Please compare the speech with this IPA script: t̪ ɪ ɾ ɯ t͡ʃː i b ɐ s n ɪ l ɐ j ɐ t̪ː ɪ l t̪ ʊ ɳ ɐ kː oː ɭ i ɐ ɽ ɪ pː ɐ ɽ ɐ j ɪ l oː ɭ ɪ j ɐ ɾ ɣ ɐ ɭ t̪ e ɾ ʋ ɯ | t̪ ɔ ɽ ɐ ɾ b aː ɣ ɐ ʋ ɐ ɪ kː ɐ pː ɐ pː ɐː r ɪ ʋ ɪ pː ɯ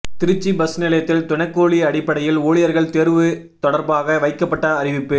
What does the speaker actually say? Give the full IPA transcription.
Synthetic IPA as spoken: t̪ ɪ ɾ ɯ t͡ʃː i b ɐ s n ɪ l ɐ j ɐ t̪ː ɪ l t̪ ʊ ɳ ɐ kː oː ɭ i ɐ ɽ ɪ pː ɐ ɽ ɐ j ɪ l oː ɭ ɪ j ɐ ɾ ɣ ɐ ɭ t̪ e ɾ ʋ ɯ | t̪ ɔ ɽ ɐ ɾ b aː ɣ ɐ ʋ ɐ ɪ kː ɐ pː ɐ ʈː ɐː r ɪ ʋ ɪ pː ɯ